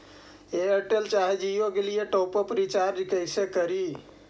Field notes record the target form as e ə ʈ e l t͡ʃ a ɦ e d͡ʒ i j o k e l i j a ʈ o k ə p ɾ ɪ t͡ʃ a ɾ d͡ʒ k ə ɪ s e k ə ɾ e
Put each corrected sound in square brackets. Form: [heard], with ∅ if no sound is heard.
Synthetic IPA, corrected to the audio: e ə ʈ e l t͡ʃ a ɦ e d͡ʒ i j o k e l i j [e] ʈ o [p] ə p ɾ [i] t͡ʃ a ɾ d͡ʒ k ə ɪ s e k ə ɾ [i]